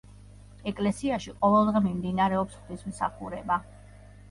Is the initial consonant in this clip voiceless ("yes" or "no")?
yes